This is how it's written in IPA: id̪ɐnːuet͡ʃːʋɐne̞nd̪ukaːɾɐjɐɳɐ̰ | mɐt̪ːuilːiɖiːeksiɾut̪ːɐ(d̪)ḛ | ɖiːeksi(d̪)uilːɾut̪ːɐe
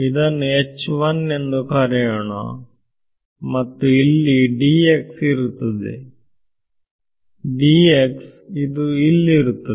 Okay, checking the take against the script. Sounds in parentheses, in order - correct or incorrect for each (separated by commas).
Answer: correct, correct